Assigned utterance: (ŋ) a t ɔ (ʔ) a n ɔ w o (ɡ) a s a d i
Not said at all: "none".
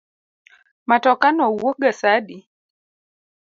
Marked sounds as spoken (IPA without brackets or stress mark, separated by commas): m, k, ɡ